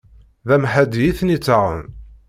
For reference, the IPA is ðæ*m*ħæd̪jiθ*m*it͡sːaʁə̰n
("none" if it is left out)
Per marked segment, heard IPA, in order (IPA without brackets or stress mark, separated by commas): m, n